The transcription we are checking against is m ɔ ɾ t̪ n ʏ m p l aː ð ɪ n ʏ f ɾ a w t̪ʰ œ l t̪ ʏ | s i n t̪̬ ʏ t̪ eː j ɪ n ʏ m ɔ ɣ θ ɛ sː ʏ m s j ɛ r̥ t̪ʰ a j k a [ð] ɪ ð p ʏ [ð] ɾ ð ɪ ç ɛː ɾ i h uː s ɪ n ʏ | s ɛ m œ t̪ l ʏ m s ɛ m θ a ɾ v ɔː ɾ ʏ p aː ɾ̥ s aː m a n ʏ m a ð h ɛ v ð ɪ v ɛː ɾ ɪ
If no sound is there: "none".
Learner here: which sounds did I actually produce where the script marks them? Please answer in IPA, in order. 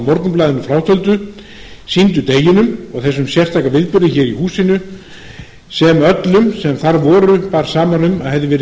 v, none

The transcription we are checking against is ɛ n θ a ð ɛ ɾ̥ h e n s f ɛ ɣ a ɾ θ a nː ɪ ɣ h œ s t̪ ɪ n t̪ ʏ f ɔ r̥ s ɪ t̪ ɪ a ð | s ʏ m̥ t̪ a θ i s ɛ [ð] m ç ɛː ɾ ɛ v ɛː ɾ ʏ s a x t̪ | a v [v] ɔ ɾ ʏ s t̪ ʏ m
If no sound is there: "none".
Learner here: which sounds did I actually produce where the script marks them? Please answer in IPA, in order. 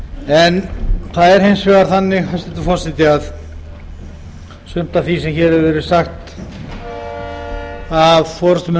none, f

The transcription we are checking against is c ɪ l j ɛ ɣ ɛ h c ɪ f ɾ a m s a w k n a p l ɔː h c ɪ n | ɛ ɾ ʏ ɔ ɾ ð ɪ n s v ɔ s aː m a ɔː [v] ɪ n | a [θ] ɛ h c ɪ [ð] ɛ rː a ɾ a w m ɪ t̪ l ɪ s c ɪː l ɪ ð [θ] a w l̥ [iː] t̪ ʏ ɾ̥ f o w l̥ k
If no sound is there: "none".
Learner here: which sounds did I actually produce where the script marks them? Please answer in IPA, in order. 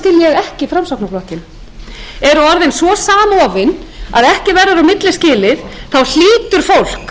v, ð, v, θ, iː

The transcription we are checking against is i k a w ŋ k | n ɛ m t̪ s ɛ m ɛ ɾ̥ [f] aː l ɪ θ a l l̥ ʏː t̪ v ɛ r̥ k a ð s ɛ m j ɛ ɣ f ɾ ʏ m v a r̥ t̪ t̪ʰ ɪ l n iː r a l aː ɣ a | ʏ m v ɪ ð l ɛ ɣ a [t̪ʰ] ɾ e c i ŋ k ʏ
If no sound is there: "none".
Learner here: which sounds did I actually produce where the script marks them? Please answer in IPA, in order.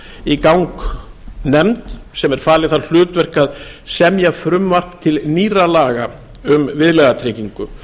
f, t̪ʰ

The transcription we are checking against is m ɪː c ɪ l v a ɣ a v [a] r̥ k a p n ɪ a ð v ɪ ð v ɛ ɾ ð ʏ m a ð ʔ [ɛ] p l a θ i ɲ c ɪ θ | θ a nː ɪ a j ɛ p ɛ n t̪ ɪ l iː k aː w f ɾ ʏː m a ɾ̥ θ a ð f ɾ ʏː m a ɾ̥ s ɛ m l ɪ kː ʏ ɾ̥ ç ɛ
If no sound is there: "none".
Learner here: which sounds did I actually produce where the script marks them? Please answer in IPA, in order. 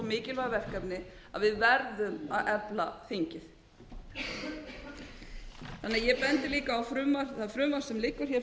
ɛ, ɛ

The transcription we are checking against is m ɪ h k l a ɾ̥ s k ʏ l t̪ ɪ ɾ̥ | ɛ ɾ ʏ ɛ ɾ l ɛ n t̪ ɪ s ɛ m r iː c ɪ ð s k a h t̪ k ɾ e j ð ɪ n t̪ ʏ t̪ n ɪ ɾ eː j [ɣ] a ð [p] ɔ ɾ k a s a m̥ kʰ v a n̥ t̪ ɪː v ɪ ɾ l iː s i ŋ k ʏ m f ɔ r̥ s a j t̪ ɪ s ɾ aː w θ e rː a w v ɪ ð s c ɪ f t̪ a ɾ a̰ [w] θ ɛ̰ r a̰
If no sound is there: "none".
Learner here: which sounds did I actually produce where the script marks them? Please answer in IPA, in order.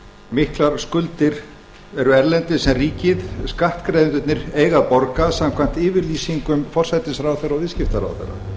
ɣ, p, w

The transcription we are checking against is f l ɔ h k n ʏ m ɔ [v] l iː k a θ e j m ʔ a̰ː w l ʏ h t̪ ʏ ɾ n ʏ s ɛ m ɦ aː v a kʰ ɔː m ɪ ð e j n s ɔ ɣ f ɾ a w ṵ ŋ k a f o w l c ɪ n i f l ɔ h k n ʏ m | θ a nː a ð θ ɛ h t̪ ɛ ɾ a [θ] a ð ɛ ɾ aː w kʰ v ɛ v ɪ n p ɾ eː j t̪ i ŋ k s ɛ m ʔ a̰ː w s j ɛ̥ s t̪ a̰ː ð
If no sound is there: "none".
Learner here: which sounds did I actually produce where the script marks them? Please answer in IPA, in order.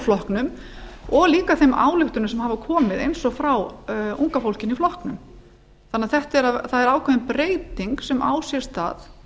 ɣ, θ

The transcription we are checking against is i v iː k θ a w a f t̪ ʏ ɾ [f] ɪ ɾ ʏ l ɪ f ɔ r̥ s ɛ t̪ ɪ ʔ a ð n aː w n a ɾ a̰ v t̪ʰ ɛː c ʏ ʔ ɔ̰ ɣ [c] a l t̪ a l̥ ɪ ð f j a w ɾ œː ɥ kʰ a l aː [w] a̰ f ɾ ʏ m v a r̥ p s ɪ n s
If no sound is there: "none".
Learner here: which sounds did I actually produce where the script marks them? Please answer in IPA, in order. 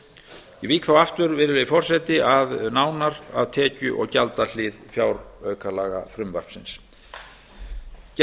v, c, ɣ

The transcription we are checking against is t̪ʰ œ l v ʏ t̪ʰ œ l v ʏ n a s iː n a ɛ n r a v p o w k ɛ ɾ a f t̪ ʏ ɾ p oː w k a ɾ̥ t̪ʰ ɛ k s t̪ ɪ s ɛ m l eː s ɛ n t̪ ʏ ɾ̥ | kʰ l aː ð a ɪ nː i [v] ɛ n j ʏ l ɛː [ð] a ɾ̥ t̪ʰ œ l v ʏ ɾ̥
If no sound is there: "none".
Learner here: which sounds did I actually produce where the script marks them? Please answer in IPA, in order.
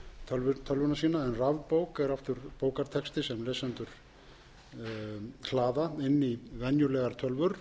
v, ɣ

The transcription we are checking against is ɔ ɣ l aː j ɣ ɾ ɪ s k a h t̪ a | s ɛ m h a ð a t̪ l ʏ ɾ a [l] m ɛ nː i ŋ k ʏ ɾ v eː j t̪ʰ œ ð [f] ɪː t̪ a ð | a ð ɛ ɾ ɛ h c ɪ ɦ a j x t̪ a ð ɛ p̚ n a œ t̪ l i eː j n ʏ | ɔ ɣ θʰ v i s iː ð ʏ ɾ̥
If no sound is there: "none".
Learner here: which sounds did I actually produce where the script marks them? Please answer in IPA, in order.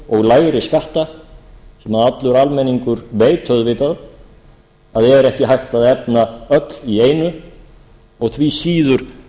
l, v

